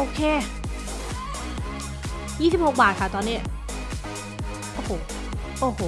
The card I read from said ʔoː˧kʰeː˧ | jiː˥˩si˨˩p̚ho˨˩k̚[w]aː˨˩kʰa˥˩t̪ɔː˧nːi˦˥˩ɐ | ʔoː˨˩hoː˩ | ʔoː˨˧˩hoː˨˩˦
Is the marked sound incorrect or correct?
incorrect